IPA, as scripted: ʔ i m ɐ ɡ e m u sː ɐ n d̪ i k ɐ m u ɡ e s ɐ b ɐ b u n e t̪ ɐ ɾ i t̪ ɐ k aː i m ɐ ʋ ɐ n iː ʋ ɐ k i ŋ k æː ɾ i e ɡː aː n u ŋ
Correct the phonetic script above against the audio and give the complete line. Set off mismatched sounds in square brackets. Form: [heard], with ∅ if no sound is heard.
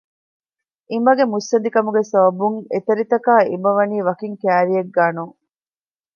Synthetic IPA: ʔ i m ɐ ɡ e m u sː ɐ n d̪ i k ɐ m u ɡ e s ɐ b ɐ b u [ŋ] e t̪ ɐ ɾ i t̪ ɐ k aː i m ɐ ʋ ɐ n iː ʋ ɐ k i ŋ k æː ɾ i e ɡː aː n u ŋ